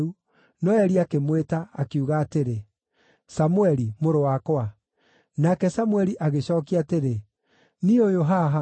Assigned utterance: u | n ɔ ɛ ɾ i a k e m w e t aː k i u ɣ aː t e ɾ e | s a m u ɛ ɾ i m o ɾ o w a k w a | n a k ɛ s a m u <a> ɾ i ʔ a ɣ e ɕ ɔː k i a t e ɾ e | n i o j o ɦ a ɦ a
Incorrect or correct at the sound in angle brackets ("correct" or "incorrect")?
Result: incorrect